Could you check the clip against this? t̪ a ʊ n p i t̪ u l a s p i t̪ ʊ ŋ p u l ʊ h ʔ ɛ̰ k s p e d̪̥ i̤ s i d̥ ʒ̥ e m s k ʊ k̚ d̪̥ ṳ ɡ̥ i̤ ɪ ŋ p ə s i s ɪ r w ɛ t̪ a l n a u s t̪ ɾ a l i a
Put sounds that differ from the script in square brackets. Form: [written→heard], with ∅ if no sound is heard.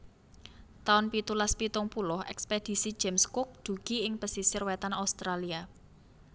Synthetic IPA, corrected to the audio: t̪ a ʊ n p i t̪ u l a s p i t̪ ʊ ŋ p u l ʊ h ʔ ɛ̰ k s p e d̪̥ i̤ s i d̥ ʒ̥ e m s k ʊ k̚ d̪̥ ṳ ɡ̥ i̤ ɪ ŋ p ə s i s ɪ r w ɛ t̪ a [l→∅] n a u s t̪ ɾ a l i a